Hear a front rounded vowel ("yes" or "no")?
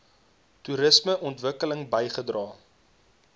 no